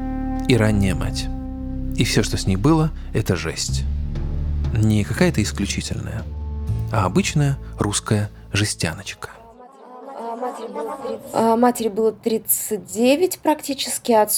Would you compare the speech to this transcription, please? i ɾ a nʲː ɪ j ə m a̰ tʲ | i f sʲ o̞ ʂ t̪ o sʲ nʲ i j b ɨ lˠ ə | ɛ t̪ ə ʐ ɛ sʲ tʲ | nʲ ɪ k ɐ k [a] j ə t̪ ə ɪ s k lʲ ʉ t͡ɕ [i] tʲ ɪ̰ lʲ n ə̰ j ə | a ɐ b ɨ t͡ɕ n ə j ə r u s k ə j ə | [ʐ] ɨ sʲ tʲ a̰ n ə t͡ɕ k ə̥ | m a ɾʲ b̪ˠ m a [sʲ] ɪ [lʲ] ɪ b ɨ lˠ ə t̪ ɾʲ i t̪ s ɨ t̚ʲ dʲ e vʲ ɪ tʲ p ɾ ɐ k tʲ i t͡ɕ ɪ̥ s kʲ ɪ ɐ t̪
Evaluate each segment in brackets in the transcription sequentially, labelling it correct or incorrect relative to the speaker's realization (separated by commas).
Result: correct, correct, correct, incorrect, incorrect